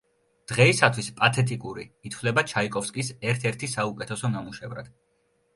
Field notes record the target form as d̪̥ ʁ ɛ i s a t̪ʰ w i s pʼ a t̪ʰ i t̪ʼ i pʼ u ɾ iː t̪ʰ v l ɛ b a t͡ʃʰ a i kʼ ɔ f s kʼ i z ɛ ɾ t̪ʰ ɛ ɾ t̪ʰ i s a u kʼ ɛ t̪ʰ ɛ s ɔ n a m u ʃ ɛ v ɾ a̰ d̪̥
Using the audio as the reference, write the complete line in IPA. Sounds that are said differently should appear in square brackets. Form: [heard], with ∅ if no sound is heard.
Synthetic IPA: d̪̥ ʁ ɛ i s a t̪ʰ w i s pʼ a t̪ʰ [ɛ] t̪ʼ i [kʼ] u ɾ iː t̪ʰ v l ɛ b a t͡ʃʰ a i kʼ ɔ f s kʼ i [s] ɛ ɾ t̪ʰ ɛ ɾ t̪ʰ i s a u kʼ ɛ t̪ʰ ɛ s ɔ n a m u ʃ ɛ v ɾ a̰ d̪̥